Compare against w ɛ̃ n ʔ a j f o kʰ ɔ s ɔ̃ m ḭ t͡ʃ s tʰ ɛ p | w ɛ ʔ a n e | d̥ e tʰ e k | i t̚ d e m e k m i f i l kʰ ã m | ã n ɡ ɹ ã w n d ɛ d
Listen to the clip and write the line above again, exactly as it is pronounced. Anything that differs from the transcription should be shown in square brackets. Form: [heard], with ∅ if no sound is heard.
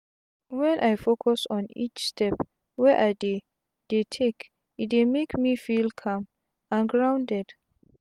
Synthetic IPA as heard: w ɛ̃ n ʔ a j f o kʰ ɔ s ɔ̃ [n] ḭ t͡ʃ s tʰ ɛ p | w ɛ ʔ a [d] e | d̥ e tʰ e k | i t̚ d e m e k m i f i l kʰ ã m | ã n ɡ ɹ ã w n d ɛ d